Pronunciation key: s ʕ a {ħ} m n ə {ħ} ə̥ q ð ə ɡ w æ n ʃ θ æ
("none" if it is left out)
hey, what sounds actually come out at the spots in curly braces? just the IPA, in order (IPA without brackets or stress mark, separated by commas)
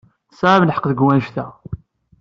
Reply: none, ħ